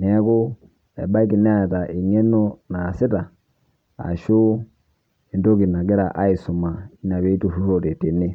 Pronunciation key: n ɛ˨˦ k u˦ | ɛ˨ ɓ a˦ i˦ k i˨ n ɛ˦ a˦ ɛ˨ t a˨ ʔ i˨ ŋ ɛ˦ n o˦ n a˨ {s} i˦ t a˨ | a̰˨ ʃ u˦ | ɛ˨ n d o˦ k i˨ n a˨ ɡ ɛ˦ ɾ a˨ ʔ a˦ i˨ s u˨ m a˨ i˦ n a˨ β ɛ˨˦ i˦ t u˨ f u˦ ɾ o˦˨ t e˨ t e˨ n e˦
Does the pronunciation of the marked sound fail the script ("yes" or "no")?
no